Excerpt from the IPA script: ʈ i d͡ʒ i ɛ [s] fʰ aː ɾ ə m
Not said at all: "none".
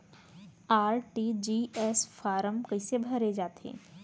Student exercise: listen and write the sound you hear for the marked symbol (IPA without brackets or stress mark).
s